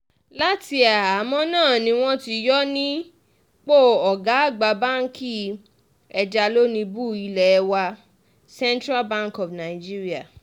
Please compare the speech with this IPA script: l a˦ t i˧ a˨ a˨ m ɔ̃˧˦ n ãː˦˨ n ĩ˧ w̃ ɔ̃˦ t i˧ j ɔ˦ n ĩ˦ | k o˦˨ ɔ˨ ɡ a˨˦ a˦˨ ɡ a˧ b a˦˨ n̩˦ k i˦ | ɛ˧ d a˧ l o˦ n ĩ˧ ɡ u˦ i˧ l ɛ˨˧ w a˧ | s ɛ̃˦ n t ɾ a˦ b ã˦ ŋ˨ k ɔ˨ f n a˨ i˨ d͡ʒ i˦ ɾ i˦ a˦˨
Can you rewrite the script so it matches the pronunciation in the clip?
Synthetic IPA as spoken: l a˦ t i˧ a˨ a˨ m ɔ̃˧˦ n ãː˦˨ n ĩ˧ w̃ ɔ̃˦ t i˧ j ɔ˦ n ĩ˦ | k͡p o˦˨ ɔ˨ ɡ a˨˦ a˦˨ ɡ͡b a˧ b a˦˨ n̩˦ k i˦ | ɛ˧ d͡ʒ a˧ l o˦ n ĩ˧ b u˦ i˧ l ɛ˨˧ w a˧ | s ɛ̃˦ n t ɾ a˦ b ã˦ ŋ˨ k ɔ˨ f n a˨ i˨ d͡ʒ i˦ ɾ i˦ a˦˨